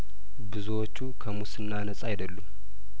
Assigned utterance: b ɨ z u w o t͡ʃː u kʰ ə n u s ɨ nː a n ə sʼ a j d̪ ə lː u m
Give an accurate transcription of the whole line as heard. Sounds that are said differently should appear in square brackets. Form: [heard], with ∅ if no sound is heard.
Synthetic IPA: b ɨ z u w o t͡ʃː u kʰ ə [m] u s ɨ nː a n ə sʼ a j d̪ ə lː u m